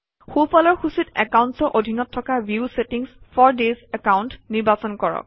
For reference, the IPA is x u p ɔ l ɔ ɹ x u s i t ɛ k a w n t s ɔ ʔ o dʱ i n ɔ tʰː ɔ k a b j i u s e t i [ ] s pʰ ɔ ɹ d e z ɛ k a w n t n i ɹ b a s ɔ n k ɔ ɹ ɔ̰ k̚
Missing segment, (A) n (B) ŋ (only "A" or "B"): B